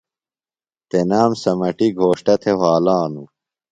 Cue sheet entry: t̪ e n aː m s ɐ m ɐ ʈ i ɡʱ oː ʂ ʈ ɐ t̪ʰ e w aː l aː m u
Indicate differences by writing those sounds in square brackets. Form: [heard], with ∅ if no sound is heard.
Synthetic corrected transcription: t̪ e n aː m s ɐ m ɐ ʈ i ɡʱ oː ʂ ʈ ɐ t̪ʰ e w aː l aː [n] u

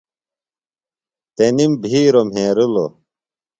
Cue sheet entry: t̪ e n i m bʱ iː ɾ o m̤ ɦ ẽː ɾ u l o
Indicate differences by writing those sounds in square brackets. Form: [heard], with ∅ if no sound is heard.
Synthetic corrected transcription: t̪ e n i m bʱ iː ɾ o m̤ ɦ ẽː ɾ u l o

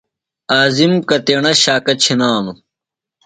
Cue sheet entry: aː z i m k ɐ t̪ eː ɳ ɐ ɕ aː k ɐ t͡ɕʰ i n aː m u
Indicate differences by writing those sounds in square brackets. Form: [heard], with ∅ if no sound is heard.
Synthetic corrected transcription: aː z i m k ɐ t̪ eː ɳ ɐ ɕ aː k ɐ t͡ɕʰ i n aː [n] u

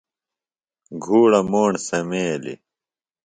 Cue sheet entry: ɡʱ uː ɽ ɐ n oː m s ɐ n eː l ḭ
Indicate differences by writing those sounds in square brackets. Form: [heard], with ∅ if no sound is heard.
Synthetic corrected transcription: ɡʱ uː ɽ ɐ [m] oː [ɳ] s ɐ [m] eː l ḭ

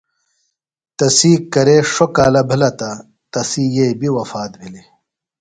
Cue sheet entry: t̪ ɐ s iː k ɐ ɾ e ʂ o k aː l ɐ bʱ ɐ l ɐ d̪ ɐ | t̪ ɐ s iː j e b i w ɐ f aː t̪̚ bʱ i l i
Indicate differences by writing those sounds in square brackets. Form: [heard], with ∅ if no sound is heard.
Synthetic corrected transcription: t̪ ɐ s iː k ɐ ɾ e ʂ o k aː l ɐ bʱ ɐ l ɐ [t̪] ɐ | t̪ ɐ s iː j e b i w ɐ f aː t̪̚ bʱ i l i

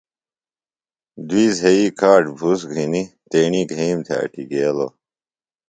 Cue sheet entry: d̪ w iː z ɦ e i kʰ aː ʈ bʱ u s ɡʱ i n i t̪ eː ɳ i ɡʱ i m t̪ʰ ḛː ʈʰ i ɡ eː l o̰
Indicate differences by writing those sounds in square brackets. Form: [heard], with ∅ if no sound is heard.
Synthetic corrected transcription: d̪ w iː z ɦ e i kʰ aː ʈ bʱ u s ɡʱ i n i t̪ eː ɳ i ɡʱ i m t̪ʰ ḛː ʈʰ i ɡ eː l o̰

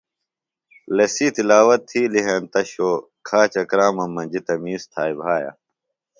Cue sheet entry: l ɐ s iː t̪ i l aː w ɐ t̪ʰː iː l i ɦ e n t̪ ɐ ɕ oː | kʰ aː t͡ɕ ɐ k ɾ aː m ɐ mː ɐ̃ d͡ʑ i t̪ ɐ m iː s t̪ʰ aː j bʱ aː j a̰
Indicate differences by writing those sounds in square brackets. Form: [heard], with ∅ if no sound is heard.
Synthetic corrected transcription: l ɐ s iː t̪ i l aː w ɐ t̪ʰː iː l i ɦ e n t̪ ɐ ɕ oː | kʰ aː t͡ɕ ɐ k ɾ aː m ɐ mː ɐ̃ d͡ʑ i t̪ ɐ m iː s t̪ʰ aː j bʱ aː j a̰

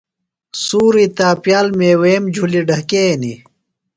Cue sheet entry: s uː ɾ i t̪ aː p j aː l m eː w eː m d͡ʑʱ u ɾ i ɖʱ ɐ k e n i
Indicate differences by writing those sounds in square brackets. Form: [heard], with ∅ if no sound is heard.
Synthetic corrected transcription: s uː ɾ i t̪ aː p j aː l m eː w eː m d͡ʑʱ u [l] i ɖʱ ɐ k e n i

